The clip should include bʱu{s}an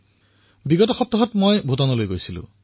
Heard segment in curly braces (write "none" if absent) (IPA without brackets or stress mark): t